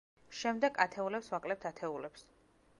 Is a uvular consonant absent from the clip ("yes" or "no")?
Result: yes